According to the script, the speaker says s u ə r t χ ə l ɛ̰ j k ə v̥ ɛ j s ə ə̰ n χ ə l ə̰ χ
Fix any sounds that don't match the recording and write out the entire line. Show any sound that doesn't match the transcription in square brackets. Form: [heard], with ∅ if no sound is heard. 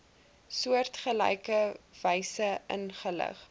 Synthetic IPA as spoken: s u ə r t χ ə l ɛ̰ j k ə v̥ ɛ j s ə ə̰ n χ ə l ə̰ χ

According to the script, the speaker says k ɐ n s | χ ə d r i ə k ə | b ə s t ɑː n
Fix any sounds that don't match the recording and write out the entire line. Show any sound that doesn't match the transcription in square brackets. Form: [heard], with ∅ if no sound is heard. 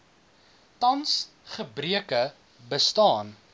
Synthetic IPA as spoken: [t] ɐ n s | χ ə [b] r i ə k ə | b ə s t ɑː n

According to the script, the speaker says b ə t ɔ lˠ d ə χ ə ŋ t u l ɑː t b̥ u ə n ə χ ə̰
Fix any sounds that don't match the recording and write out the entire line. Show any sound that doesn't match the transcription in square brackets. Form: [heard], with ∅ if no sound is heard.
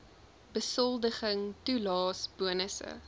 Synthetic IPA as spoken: b ə [s] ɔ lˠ d ə χ ə ŋ t u l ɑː [s] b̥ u ə n ə [s] ə̰

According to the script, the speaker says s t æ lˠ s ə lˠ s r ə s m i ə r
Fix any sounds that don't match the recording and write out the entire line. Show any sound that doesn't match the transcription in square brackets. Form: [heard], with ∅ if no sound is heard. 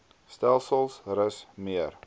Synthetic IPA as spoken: s t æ lˠ s ə lˠ s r ə s m i ə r

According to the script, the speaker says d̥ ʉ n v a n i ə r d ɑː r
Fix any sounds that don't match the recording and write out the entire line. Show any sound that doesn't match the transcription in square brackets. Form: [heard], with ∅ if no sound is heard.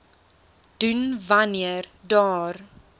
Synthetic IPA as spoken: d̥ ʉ n v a n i ə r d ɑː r

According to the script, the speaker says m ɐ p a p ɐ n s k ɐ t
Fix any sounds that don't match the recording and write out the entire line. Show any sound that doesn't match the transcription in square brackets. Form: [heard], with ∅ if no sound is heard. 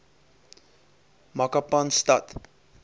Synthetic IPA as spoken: m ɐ [k] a p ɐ n s [t] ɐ t

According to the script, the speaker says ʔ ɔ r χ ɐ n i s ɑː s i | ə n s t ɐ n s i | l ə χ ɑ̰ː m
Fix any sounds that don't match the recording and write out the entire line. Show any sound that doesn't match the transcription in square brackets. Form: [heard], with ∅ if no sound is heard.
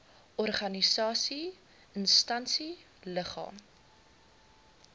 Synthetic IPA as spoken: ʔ ɔ r χ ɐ n i s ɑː s i | ə n s t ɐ n s i | l ə χ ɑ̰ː m

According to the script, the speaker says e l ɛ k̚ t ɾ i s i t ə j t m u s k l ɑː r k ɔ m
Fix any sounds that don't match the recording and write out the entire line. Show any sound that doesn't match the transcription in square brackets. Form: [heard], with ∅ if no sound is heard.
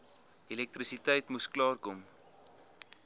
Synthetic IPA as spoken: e l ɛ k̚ t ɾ i s i t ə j t m u s k l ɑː r k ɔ m

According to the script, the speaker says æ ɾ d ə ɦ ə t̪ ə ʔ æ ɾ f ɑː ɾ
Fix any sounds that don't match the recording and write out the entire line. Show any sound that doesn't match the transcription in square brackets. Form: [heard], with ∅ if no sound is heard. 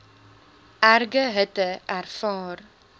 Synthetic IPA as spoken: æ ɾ [ɡ] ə ɦ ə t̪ ə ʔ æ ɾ f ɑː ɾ

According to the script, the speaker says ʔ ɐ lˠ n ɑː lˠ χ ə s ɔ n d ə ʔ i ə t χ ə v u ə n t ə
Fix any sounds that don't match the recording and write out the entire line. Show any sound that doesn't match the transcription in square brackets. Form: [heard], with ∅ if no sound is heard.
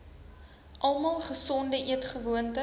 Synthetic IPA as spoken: ʔ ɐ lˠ [m] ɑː lˠ χ ə s ɔ n d ə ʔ i ə t χ ə v u ə n t ə

